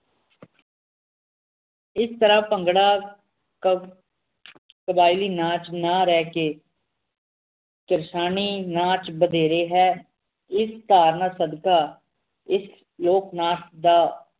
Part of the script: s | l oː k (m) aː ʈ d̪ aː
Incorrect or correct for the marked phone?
incorrect: n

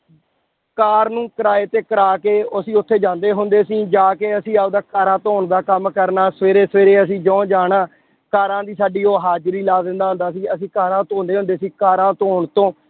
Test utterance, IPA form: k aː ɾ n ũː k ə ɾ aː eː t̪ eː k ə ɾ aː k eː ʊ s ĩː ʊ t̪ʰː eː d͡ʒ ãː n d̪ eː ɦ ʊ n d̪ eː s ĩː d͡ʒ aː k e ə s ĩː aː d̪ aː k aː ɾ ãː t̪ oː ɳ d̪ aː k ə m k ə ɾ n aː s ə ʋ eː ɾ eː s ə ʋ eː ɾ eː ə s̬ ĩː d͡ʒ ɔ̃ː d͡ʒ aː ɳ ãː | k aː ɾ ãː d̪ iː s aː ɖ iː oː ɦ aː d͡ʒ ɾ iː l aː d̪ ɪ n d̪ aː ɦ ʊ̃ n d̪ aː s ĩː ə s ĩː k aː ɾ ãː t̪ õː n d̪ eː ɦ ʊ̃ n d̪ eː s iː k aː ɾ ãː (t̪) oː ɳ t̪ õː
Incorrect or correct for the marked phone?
correct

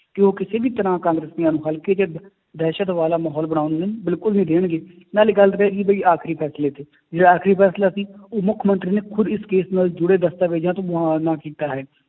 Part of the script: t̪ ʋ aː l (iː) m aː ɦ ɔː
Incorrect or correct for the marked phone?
incorrect: aː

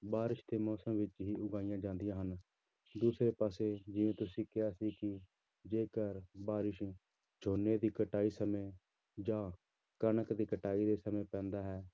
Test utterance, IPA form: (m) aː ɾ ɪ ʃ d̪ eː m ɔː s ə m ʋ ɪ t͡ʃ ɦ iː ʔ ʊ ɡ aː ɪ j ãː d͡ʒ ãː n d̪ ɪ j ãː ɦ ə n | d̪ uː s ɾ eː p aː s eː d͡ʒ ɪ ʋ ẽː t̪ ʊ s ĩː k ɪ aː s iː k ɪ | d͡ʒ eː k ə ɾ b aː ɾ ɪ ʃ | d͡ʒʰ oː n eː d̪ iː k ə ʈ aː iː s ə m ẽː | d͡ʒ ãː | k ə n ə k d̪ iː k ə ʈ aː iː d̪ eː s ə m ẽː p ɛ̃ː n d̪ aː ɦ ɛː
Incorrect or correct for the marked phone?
incorrect: b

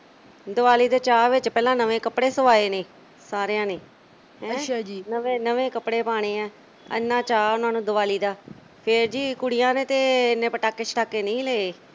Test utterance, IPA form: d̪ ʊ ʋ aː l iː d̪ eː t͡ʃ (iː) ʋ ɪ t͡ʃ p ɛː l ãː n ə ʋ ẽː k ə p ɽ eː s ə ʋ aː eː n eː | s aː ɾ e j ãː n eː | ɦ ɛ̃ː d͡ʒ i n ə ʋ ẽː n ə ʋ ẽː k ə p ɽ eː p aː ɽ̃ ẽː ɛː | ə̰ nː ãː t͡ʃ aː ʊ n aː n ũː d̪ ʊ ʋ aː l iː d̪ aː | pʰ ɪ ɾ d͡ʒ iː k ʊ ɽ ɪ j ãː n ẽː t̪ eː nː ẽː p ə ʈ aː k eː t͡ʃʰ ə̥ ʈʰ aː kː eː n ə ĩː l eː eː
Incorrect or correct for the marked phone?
incorrect: aː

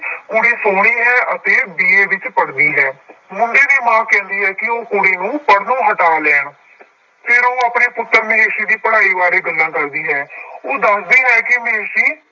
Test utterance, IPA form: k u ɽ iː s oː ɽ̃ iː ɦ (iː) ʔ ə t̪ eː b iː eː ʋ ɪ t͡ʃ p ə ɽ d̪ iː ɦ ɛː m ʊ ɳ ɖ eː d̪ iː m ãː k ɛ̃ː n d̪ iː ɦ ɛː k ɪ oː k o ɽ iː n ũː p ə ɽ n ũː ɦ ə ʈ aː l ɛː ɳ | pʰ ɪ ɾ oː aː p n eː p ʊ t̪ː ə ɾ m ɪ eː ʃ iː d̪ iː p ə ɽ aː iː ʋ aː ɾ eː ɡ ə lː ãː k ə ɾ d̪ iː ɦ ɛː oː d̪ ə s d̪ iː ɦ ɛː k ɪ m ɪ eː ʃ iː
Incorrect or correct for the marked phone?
incorrect: ɛː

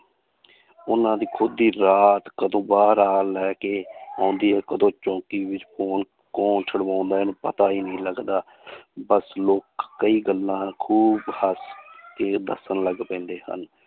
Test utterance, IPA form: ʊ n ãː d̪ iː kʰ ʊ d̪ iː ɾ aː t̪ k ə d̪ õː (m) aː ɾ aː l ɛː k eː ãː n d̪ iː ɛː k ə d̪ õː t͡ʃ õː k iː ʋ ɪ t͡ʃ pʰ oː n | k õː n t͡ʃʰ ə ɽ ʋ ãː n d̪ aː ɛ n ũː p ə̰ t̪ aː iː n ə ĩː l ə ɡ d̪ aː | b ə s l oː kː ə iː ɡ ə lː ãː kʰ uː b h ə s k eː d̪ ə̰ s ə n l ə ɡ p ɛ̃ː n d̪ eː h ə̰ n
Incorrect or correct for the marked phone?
incorrect: b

